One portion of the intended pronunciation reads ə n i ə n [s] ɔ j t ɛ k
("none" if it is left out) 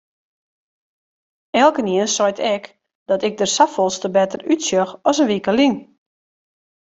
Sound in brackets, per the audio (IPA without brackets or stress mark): s